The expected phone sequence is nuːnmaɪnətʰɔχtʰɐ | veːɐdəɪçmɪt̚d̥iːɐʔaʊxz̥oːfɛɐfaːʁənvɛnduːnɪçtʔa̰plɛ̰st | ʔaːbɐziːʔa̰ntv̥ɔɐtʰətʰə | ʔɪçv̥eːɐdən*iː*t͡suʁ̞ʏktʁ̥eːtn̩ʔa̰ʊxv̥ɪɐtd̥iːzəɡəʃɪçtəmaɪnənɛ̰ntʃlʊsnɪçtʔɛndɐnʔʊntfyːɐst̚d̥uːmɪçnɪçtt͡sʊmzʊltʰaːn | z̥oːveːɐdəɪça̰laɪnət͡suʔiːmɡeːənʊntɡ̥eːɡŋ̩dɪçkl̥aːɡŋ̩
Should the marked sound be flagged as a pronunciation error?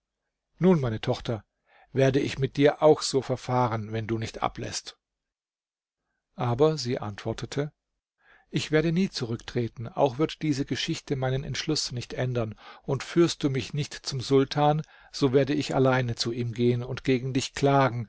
no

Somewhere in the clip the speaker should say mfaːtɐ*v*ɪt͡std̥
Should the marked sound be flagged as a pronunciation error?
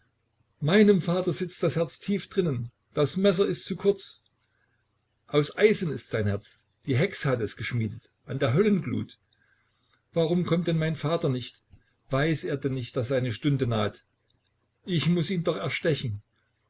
yes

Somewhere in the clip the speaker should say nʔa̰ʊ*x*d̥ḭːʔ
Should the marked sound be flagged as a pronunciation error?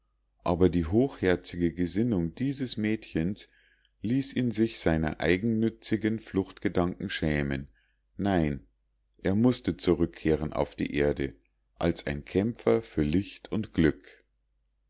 yes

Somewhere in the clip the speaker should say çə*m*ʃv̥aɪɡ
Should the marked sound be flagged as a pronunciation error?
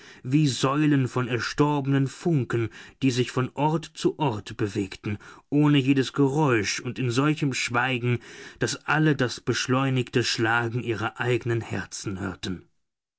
no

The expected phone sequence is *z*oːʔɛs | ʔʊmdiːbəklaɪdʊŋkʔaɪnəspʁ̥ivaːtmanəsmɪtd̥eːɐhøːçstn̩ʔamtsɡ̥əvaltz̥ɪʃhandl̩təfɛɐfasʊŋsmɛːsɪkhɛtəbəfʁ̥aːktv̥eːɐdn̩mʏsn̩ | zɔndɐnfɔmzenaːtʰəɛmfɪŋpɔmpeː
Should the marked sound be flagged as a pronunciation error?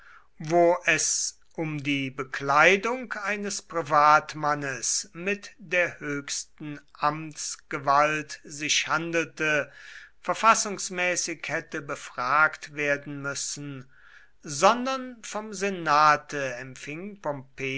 yes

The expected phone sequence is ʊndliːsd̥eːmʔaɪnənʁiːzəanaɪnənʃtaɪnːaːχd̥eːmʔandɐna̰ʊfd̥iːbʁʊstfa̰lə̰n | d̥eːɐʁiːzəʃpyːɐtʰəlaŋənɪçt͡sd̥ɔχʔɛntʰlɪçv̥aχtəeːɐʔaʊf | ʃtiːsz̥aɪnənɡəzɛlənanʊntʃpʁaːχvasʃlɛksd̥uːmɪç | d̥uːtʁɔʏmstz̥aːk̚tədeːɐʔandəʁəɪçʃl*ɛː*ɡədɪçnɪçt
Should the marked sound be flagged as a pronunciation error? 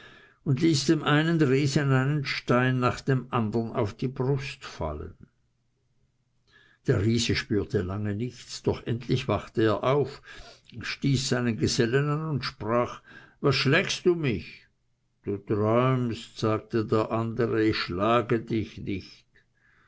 yes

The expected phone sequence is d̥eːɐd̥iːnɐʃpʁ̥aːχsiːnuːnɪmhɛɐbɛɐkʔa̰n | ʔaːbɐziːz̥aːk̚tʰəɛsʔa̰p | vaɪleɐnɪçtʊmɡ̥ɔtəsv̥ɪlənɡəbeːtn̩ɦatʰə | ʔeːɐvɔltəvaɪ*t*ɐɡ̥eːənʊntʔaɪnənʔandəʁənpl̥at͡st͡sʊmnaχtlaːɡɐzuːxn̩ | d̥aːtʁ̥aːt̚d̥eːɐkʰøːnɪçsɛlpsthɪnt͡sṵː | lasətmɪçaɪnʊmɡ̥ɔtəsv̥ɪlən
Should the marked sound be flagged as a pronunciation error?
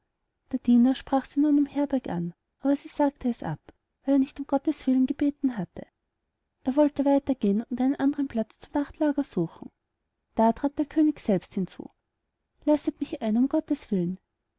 no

